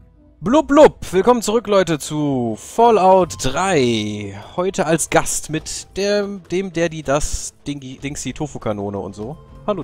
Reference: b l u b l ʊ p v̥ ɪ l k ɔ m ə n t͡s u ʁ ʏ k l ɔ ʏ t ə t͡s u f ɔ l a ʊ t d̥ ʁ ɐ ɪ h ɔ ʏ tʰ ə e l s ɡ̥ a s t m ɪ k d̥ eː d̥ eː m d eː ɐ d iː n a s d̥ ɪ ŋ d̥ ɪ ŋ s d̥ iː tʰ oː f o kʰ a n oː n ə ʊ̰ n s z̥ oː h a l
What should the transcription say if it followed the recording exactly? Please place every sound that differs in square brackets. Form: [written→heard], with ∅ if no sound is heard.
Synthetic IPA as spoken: b l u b l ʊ p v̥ ɪ l k ɔ m ə n t͡s u ʁ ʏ k l ɔ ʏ t ə t͡s u f ɔ l a ʊ t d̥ ʁ [ɐ→a] ɪ h ɔ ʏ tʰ ə [e→a] l s ɡ̥ a s t m ɪ [k→t] d̥ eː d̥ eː m d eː ɐ d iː [n→d] a s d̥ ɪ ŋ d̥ ɪ ŋ s d̥ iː tʰ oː f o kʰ a n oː n ə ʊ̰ n [s→t] z̥ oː h a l

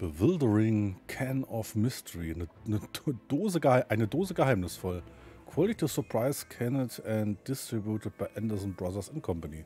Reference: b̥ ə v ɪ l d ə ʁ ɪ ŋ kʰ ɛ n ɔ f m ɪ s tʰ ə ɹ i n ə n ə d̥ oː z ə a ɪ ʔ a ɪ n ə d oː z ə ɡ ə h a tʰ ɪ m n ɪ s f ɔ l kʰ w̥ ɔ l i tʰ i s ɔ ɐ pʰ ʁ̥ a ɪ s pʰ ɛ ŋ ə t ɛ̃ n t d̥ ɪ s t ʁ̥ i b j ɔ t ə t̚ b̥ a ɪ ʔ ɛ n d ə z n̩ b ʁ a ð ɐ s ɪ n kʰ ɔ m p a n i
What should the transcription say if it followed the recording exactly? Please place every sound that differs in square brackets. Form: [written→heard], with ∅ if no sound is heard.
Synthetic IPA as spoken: b̥ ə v ɪ l d ə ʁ ɪ ŋ kʰ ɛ n ɔ f m ɪ s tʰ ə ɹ i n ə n ə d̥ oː z ə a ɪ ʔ a ɪ n ə d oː z ə ɡ ə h a [tʰ→∅] ɪ m n ɪ s f ɔ l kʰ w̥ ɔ l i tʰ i s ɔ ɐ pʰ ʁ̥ a ɪ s [pʰ→kʰ] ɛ [ŋ→n] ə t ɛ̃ n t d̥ ɪ s t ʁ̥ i b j [ɔ→u] t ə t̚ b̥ a ɪ ʔ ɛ n d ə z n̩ b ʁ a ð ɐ s ɪ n kʰ ɔ m p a n i

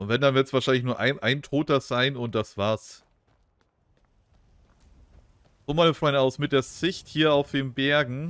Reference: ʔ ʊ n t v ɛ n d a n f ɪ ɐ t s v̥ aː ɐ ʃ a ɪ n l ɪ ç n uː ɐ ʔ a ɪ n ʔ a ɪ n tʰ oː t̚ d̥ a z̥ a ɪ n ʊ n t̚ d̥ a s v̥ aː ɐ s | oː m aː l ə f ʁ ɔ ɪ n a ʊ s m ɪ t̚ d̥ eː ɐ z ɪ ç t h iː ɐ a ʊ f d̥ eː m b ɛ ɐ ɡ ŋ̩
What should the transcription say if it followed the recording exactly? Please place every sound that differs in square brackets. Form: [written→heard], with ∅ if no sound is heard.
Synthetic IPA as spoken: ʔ ʊ n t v ɛ n d a n [f→v] ɪ ɐ t s v̥ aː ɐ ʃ a ɪ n l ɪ ç n uː ɐ ʔ a ɪ n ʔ a ɪ n tʰ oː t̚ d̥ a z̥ a ɪ n ʊ n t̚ d̥ a s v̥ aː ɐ s | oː m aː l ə f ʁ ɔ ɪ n a ʊ s m ɪ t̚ d̥ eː ɐ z ɪ ç t h iː ɐ a ʊ f d̥ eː m b ɛ ɐ ɡ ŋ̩

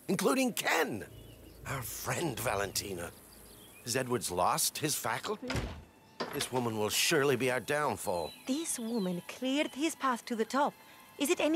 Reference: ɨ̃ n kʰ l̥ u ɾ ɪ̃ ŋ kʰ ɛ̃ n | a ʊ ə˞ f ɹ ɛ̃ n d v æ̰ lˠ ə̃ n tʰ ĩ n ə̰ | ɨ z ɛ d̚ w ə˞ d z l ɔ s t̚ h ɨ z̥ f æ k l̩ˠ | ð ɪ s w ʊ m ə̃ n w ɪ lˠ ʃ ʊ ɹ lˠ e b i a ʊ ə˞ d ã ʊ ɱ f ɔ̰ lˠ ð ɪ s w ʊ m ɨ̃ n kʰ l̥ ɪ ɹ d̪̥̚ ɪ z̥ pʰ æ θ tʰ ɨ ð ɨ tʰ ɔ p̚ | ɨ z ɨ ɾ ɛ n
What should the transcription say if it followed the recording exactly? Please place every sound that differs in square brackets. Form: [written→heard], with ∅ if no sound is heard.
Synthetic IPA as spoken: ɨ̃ n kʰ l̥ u ɾ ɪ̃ ŋ kʰ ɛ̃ n | a ʊ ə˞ f ɹ ɛ̃ n d v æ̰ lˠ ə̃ n tʰ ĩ n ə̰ | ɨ z ɛ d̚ w ə˞ d z l ɔ s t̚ h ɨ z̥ f æ k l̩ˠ | ð ɪ s w ʊ m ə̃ n w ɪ lˠ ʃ ʊ ɹ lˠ [e→i] b i a ʊ ə˞ d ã [ʊ→ʊ̃] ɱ f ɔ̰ lˠ ð ɪ s w ʊ m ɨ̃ n kʰ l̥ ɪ ɹ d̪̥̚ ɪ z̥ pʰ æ θ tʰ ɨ ð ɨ tʰ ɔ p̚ | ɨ z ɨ ɾ ɛ n

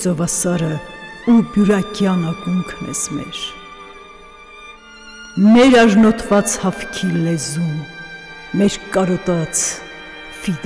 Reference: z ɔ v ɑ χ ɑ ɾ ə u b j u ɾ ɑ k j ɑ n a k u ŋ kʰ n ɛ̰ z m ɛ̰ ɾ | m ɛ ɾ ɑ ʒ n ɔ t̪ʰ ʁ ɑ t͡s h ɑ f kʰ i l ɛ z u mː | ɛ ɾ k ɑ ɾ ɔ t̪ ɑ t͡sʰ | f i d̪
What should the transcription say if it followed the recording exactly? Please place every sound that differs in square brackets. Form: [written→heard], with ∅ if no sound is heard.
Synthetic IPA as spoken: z ɔ v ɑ [χ→s] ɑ ɾ ə u b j u ɾ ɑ k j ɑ n [a→ɑ] k u ŋ kʰ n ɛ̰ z m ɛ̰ ɾ | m ɛ ɾ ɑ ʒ n ɔ t̪ʰ [ʁ→v] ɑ t͡s h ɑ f kʰ i l ɛ z u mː | ɛ ɾ k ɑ ɾ ɔ t̪ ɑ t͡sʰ | f i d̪

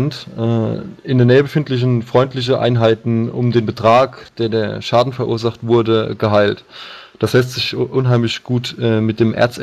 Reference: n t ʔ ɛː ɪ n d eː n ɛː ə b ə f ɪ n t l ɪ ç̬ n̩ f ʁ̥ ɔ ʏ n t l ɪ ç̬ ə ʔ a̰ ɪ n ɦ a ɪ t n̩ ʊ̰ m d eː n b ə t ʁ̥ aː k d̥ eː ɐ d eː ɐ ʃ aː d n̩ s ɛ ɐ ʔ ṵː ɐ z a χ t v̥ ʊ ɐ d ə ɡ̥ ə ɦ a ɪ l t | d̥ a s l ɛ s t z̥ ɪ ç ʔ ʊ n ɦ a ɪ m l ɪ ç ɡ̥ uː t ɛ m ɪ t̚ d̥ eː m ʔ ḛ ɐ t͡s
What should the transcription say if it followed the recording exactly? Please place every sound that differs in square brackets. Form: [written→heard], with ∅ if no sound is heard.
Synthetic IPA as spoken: n t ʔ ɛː ɪ n d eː n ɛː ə b ə f ɪ n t l ɪ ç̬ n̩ f ʁ̥ ɔ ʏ n t l ɪ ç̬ ə ʔ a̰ ɪ n ɦ a ɪ t n̩ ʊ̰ m d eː n b ə t ʁ̥ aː k d̥ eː ɐ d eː ɐ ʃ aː d n̩ [s→f] ɛ ɐ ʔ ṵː ɐ z a χ t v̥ ʊ ɐ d ə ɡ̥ ə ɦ a ɪ l t | d̥ a s l ɛ s t z̥ ɪ ç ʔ ʊ n ɦ a ɪ m l ɪ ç ɡ̥ uː t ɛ m ɪ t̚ d̥ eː m ʔ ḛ ɐ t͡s

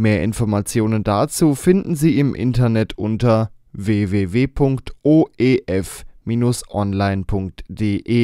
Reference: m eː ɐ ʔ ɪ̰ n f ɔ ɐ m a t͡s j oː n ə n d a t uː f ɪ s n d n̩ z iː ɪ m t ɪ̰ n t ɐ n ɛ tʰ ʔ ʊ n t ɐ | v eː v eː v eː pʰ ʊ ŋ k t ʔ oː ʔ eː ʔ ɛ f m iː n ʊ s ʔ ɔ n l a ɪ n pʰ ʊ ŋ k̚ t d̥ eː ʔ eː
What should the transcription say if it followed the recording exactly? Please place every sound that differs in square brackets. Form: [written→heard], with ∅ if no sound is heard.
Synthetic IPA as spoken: m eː ɐ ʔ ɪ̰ n f ɔ ɐ m a t͡s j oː n ə n d a [t→t͡s] uː f ɪ [s→∅] n d n̩ z iː ɪ m [t→ʔ] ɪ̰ n t ɐ n ɛ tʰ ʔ ʊ n t ɐ | v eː v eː v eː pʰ ʊ ŋ k t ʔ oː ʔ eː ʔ ɛ f m iː n ʊ s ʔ ɔ n l a ɪ n pʰ ʊ ŋ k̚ t d̥ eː ʔ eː

